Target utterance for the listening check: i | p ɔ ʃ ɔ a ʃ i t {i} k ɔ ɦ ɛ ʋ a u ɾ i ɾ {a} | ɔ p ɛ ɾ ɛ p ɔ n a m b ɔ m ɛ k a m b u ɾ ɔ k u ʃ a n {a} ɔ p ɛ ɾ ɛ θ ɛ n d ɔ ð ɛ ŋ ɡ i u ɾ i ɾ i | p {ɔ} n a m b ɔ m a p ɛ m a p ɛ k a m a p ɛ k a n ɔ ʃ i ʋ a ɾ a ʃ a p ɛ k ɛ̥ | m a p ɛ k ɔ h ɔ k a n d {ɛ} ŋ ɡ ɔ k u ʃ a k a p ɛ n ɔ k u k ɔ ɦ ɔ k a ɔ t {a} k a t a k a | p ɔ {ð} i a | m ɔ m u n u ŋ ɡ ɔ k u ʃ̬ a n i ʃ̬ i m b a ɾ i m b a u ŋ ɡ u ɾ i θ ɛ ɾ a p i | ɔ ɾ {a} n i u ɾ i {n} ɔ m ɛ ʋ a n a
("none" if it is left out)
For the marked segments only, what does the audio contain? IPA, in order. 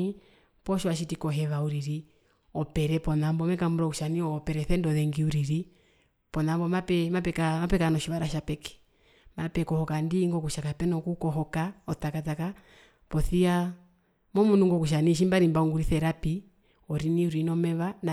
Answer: i, i, i, ɔ, i, a, θ, i, n

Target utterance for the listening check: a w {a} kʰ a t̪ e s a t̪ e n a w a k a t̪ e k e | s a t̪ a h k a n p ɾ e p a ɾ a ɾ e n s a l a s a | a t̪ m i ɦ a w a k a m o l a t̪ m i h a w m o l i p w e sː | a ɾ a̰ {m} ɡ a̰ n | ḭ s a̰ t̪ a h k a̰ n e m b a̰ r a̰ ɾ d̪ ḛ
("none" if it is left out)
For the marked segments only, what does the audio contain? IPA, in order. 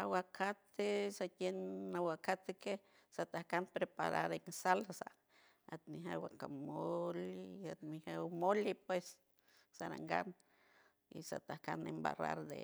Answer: a, ŋ

